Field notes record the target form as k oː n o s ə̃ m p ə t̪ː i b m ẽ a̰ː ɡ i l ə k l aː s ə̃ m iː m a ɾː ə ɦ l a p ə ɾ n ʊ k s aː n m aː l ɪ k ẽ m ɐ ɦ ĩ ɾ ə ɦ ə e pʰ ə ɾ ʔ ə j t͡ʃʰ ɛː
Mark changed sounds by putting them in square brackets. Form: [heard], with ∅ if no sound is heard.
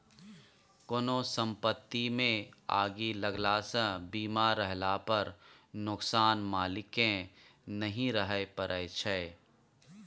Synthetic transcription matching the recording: k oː n o s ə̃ m p ə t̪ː i [∅] m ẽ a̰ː ɡ i l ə [ɡ] l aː s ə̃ [b] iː m a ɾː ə ɦ l a p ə ɾ n ʊ k s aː n m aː l ɪ k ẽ [n] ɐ ɦ ĩ ɾ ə ɦ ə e [p] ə ɾ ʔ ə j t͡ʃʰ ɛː